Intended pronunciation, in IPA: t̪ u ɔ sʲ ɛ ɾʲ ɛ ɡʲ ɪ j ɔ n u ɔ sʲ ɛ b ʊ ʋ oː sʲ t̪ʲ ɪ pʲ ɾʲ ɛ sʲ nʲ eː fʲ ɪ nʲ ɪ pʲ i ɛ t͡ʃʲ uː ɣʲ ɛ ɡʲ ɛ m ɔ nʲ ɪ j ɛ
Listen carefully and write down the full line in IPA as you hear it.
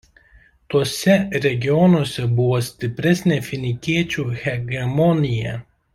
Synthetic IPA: t̪ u ɔ sʲ ɛ ɾʲ ɛ ɡʲ ɪ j ɔ n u ɔ sʲ ɛ b ʊ ʋ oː sʲ t̪ʲ ɪ pʲ ɾʲ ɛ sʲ nʲ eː fʲ ɪ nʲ ɪ kʲ i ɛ t͡ʃʲ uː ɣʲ ɛ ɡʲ ɛ m ɔ nʲ ɪ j ɛ